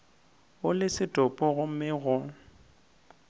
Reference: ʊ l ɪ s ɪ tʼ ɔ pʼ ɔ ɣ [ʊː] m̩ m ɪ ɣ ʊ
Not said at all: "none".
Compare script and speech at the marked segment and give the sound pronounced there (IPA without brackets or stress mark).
ʊ